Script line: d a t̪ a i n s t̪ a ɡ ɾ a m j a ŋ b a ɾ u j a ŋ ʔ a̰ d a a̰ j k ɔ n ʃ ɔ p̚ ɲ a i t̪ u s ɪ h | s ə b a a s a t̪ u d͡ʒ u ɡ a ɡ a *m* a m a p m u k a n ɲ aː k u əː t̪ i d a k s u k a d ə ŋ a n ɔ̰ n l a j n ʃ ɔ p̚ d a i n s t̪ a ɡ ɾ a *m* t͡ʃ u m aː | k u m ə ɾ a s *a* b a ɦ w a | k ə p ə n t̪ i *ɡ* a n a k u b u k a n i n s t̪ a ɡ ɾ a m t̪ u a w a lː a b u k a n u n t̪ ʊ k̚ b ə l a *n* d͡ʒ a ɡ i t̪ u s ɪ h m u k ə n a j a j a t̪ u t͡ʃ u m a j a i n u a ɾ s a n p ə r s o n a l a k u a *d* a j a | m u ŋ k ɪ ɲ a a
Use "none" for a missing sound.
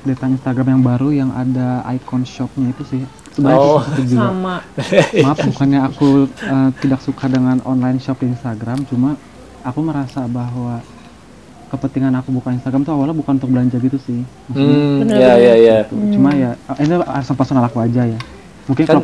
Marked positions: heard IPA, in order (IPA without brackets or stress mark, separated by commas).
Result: m, m, a, ŋ, ɲ, d͡ʒ